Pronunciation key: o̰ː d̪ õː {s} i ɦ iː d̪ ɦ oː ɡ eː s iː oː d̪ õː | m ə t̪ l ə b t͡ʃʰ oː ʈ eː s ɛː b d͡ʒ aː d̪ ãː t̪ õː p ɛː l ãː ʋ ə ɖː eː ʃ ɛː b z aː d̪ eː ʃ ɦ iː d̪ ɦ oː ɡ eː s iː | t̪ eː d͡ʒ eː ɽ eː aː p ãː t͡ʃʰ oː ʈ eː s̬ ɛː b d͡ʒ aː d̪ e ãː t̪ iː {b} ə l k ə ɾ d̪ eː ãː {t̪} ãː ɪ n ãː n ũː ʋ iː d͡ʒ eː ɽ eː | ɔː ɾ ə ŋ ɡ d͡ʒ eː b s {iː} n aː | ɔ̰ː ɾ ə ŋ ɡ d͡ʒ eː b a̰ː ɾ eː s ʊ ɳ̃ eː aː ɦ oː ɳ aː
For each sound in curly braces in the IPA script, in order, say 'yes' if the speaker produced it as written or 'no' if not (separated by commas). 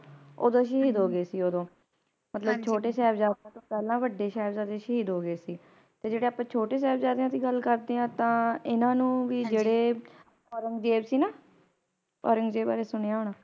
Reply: no, no, yes, yes